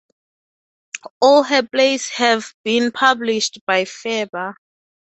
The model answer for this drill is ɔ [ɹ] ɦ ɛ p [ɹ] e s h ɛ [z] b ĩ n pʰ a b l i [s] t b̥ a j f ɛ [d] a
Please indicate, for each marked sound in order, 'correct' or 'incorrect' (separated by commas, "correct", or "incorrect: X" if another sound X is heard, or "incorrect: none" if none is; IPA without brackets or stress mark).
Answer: incorrect: l, incorrect: l, incorrect: v, incorrect: ʃ, incorrect: b